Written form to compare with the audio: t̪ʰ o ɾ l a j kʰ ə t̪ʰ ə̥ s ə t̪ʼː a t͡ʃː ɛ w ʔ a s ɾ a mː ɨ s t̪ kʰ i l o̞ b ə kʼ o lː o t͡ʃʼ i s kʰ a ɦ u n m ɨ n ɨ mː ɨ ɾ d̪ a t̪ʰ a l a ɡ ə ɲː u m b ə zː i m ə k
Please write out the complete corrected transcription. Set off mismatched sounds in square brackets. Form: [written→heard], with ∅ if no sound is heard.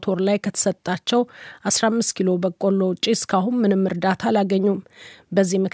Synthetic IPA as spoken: t̪ʰ o ɾ l a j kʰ ə t̪ʰ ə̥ s ə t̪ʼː a t͡ʃː ɛ w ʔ a s ɾ a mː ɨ s t̪ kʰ i l o̞ b ə kʼ o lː o t͡ʃʼ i s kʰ a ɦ u n m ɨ n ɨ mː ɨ ɾ d̪ a t̪ʰ a l a ɡ ə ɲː u m b ə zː i m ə k